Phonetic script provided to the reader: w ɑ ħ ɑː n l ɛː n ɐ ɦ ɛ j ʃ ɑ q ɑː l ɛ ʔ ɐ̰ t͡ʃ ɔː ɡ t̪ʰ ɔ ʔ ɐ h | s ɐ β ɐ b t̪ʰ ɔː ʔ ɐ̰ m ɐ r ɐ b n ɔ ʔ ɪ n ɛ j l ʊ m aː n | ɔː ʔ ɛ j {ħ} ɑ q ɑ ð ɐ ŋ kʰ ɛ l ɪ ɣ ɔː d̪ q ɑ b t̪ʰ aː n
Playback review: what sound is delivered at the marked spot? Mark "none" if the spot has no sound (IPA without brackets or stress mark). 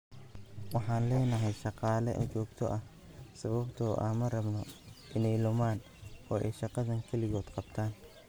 ʃ